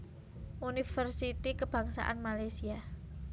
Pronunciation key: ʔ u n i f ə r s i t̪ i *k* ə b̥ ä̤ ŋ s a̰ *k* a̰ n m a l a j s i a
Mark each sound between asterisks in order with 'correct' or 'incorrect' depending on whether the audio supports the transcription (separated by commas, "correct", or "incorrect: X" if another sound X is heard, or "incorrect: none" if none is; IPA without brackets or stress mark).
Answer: correct, incorrect: ʔ